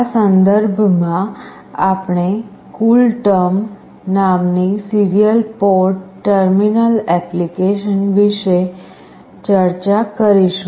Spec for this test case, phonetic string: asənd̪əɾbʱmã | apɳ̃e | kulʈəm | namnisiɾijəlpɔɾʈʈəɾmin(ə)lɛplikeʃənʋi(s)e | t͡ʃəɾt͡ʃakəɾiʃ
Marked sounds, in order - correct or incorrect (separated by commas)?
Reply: correct, incorrect